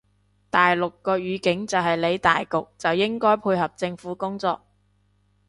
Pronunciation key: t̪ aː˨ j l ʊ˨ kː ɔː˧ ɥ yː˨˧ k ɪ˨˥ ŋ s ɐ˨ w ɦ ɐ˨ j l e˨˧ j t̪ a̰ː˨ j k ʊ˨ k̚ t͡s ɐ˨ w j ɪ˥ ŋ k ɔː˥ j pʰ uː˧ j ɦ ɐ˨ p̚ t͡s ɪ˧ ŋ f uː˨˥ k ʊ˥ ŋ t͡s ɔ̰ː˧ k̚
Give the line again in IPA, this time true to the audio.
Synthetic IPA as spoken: t̪ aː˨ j l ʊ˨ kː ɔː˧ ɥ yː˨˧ k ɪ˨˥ ŋ t͡s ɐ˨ w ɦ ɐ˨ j l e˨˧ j t̪ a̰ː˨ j k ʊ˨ k̚ t͡s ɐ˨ w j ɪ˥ ŋ k ɔː˥ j pʰ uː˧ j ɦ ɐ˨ p̚ t͡s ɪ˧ ŋ f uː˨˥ k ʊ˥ ŋ t͡s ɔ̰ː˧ k̚